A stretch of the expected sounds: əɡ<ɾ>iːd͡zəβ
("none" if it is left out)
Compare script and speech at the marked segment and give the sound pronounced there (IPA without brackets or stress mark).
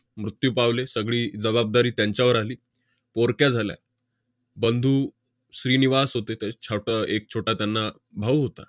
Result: ɭ